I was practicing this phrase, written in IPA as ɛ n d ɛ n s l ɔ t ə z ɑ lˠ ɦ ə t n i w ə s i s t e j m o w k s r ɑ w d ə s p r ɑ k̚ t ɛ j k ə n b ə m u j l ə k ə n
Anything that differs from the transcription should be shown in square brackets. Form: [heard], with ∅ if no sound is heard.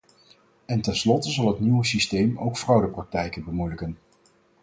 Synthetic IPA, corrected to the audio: ɛ n [t] ɛ n s l ɔ t ə z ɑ lˠ ɦ ə t n i w ə s i s t e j m o w k [f] r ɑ w d ə [∅] p r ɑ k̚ t ɛ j k ə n b ə m u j l ə k ə n